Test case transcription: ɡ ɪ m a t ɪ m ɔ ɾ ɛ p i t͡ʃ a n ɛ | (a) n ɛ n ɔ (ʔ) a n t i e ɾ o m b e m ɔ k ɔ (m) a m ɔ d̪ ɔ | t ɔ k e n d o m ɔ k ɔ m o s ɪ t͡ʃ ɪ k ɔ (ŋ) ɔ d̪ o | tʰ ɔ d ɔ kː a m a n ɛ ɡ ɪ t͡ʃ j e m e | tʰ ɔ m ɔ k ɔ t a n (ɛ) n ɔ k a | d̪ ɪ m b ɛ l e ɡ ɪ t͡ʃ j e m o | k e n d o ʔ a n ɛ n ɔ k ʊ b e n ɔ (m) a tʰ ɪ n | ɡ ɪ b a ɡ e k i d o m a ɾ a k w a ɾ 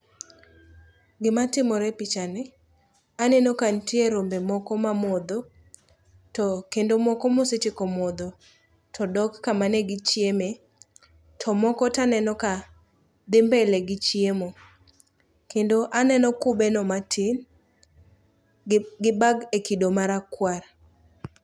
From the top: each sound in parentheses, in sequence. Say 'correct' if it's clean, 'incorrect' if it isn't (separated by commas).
correct, incorrect, correct, incorrect, correct, correct